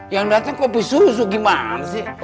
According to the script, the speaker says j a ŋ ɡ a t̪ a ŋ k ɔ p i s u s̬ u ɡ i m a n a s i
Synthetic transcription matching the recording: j a ŋ d a t̪ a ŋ k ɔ p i s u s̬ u ɡ i m a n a s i